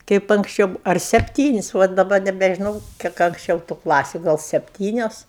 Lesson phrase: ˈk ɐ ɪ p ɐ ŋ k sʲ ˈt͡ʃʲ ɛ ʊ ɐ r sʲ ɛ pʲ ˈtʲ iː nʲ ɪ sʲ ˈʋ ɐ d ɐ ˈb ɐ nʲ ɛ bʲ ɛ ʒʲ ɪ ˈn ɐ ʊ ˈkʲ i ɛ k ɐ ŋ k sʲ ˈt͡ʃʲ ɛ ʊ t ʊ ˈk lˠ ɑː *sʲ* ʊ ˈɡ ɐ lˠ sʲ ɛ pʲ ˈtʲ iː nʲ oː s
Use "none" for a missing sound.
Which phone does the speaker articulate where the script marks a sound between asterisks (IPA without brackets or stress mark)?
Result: sʲ